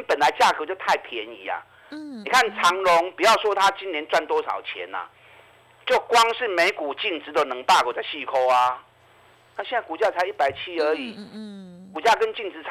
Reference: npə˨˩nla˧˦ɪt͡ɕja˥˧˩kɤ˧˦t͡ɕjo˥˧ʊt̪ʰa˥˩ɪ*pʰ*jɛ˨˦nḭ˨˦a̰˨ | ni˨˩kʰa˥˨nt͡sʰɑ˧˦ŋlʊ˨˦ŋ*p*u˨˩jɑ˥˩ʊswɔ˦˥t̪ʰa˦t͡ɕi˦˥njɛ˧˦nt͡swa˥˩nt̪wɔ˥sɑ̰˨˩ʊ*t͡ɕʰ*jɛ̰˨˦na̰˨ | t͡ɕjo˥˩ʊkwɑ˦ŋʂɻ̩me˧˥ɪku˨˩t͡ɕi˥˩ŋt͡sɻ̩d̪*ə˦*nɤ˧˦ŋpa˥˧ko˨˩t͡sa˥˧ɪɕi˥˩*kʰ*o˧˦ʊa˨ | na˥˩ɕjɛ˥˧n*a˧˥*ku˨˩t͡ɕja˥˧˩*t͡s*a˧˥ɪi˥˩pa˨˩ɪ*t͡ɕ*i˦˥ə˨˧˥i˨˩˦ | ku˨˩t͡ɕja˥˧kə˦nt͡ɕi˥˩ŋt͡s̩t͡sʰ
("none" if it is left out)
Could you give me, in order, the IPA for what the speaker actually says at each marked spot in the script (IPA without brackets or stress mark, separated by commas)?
pʰ, p, t͡ɕʰ, ə˨, kʰ, a˥˩, t͡sʰ, t͡ɕʰ